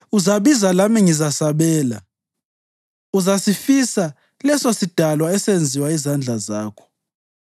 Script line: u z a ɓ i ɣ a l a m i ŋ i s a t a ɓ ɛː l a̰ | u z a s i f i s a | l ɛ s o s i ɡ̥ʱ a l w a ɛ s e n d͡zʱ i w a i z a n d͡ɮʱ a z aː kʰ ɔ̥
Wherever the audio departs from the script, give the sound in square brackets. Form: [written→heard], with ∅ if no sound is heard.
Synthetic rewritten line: u z a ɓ i [ɣ→z] a l a m i ŋ i [s→z] a [t→s] a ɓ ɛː l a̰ | u z a s i f i s a | l ɛ s o s i [ɡ̥ʱ→d̥ʱ] a l w a ɛ s e n d͡zʱ i w a i z a n d͡ɮʱ a z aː kʰ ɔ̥